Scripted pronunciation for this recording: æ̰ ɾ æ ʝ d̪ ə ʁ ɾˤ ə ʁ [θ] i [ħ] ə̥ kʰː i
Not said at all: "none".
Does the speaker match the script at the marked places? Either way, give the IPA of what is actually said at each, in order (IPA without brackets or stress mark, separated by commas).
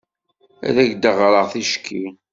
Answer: θ, ʃ